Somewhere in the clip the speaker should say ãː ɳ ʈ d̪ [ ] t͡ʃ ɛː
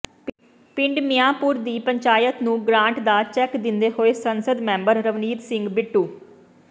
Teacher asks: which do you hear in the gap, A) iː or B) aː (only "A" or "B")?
B